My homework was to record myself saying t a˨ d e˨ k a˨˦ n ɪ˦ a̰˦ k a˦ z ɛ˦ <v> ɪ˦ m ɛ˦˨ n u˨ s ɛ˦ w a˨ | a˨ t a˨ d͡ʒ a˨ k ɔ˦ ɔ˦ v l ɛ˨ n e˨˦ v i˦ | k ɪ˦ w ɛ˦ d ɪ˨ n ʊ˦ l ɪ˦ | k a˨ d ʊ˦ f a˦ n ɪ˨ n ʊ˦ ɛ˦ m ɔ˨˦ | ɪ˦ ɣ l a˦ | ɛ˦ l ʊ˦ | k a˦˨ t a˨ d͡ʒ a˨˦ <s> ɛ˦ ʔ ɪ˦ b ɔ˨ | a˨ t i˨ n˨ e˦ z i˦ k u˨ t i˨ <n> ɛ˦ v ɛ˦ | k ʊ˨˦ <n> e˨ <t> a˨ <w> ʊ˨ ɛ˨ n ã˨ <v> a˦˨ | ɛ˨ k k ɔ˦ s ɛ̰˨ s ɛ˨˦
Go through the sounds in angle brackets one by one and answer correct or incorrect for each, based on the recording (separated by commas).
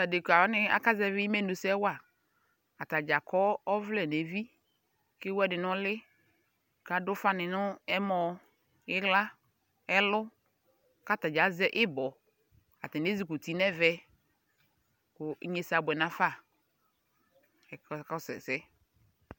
correct, incorrect, correct, incorrect, incorrect, incorrect, incorrect